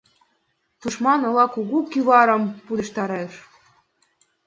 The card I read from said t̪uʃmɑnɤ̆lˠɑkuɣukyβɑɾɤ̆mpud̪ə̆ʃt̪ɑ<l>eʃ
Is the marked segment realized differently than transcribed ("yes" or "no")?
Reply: yes